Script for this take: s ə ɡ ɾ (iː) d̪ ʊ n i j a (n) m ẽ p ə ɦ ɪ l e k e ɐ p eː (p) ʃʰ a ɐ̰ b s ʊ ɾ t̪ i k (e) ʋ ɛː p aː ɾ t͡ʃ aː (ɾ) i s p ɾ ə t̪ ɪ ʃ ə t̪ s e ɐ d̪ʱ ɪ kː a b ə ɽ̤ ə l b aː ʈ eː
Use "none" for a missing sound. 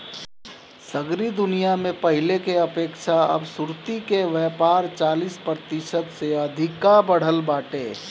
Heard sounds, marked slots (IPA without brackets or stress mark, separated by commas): i, none, k, e, l